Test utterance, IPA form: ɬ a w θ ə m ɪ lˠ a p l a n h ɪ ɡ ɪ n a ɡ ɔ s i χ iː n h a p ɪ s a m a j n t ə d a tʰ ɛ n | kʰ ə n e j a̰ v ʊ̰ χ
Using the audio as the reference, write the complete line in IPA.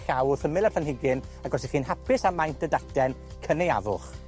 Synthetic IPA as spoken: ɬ a w θ ə m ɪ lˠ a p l a n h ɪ ɡ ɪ n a ɡ ɔ s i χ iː n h a p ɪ s a m a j n t ə d a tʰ ɛ n | kʰ ə n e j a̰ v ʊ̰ χ

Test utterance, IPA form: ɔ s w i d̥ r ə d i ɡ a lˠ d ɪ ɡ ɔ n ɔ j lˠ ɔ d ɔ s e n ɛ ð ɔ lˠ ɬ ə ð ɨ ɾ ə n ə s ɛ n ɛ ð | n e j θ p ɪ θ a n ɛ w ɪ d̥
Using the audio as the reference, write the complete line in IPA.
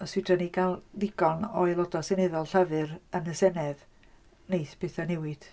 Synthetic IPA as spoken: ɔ s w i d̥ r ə n i ɡ a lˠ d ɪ ɡ ɔ n ɔ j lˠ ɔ d ɔ s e n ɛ ð ɔ lˠ ɬ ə v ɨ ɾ ə n ə s ɛ n ɛ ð | n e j θ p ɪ θ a n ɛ w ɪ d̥

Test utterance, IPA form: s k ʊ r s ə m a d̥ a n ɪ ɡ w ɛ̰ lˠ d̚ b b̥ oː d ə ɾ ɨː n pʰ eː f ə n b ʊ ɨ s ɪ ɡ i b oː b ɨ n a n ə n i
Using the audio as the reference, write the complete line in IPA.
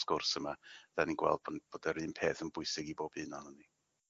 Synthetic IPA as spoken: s k ʊ r s ə m a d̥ a n i ɡ w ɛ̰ lˠ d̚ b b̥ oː d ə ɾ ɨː n pʰ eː θ ə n b ʊ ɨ s ɪ ɡ i b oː b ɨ n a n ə n i

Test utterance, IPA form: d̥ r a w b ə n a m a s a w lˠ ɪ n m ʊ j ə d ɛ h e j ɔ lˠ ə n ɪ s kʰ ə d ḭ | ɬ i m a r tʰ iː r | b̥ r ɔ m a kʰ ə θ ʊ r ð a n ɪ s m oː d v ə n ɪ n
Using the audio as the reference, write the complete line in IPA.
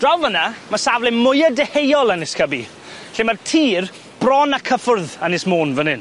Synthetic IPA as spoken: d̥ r a w v ə n a m a s a v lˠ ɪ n m ʊ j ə d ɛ h e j ɔ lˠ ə n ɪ s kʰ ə b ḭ | ɬ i m a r tʰ iː r | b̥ r ɔ n a kʰ ə f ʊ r ð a n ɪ s m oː n v ə n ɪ n

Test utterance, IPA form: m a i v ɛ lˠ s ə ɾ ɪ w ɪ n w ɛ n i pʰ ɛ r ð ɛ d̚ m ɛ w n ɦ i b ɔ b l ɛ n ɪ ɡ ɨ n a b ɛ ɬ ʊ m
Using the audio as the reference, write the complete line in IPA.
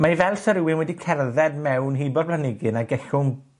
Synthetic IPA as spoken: m a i v ɛ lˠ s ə ɾ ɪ w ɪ n w ɛ d i kʰ ɛ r ð ɛ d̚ m ɛ w n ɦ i b ɔ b l a n ɪ ɡ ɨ n a ɡ ɛ ɬ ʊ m

